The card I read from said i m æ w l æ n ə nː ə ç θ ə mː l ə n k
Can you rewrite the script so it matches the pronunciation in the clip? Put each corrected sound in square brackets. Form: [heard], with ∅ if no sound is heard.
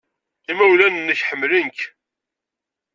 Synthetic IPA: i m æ w l æ n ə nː ə ç [ħ] ə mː l ə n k